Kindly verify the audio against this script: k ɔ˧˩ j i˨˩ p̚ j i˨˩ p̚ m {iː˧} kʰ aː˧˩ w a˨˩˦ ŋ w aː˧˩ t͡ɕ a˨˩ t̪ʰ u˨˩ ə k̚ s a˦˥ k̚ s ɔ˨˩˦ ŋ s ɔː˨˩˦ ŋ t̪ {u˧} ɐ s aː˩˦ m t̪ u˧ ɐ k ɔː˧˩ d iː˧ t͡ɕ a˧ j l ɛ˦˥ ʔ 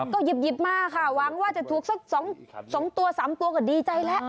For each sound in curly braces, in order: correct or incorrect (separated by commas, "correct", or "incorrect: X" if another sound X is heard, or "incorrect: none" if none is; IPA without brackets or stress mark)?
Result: incorrect: aː˧, correct